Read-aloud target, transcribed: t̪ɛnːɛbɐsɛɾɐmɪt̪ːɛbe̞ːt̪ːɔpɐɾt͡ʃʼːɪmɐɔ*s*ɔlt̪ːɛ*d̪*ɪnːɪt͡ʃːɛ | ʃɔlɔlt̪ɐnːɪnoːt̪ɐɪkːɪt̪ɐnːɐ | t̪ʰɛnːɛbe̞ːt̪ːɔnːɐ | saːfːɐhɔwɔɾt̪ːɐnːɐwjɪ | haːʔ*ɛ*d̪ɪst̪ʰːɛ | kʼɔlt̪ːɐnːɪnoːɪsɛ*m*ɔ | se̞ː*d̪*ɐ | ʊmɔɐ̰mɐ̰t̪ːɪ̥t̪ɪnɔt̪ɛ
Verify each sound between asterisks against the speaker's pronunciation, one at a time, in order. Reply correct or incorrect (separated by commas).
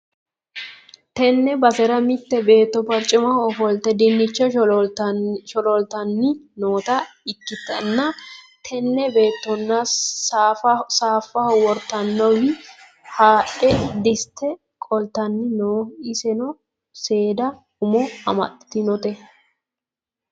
incorrect, correct, correct, incorrect, correct